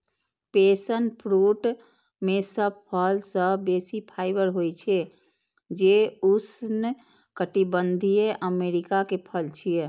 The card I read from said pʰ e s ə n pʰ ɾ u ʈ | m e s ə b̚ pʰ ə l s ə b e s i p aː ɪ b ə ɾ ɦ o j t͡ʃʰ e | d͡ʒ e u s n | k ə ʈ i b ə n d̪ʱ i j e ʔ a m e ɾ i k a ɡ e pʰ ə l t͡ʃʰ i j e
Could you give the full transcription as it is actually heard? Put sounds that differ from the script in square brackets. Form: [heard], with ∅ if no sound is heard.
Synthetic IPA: [p] e s ə n pʰ ɾ u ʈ | m e s ə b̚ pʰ ə l s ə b e s i [pʰ] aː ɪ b ə ɾ ɦ o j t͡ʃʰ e | d͡ʒ e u s n | k ə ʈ i b ə n d̪ʱ i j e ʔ [ə] m e ɾ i k a [k] e pʰ ə l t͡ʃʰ i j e